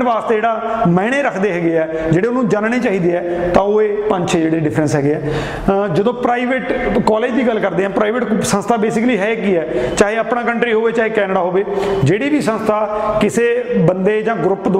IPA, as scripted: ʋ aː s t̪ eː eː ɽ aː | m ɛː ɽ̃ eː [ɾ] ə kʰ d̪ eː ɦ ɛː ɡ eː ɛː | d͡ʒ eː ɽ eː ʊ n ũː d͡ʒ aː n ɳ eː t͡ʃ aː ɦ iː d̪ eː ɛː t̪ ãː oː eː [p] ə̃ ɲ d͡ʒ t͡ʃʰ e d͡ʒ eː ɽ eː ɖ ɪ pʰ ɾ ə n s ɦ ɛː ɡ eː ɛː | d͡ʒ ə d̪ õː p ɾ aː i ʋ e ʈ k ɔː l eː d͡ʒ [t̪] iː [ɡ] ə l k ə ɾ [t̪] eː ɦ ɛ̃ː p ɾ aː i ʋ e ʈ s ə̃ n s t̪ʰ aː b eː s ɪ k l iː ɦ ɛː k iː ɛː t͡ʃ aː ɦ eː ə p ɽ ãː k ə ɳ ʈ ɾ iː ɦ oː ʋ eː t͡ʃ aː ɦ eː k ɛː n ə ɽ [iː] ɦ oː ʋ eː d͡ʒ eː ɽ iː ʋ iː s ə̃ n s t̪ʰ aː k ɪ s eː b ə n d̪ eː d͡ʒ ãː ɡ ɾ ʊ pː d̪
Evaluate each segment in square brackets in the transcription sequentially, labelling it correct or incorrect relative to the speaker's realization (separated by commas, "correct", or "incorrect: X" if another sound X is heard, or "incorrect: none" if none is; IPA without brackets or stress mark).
correct, correct, incorrect: d̪, correct, incorrect: d̪, incorrect: aː